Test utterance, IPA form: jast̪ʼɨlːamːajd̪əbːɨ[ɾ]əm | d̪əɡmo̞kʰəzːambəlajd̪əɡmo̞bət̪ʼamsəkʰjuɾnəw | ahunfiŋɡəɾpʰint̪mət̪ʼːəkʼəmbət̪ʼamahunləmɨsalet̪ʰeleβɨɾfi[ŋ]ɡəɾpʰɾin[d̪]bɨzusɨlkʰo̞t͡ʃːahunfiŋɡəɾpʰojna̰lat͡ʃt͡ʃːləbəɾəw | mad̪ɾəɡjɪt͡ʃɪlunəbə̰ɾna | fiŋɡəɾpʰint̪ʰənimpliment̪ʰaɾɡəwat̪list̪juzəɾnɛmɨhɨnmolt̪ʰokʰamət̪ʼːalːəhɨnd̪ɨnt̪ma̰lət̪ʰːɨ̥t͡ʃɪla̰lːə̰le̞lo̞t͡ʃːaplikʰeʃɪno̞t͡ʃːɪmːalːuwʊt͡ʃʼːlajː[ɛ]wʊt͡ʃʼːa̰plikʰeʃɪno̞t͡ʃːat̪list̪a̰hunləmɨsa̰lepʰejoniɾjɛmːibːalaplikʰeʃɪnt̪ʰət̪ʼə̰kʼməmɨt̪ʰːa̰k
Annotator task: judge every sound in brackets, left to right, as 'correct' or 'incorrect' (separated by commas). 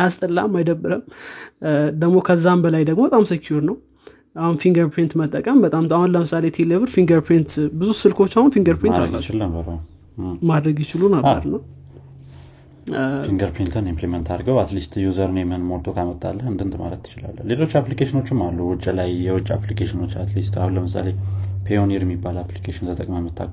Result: correct, correct, incorrect, correct